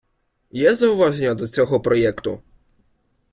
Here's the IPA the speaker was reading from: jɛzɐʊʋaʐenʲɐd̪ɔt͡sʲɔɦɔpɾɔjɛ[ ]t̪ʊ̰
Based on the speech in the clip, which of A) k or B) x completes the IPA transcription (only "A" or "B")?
A